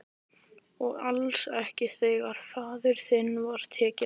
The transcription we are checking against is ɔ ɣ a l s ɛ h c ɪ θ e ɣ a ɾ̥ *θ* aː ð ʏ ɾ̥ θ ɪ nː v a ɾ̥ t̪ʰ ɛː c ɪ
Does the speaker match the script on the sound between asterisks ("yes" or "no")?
no